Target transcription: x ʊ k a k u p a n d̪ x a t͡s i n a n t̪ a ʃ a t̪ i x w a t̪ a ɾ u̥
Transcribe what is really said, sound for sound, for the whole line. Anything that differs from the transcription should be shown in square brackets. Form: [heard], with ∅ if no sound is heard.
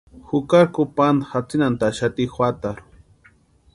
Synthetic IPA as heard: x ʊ k a k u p a n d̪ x a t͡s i n a n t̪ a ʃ a t̪ i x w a t̪ a ɾ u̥